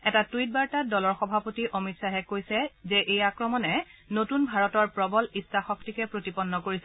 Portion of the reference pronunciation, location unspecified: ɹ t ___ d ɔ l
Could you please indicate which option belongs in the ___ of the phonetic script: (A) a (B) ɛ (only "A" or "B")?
A